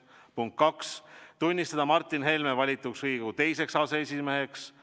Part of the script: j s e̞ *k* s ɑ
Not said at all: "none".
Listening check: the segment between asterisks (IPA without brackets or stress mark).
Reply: k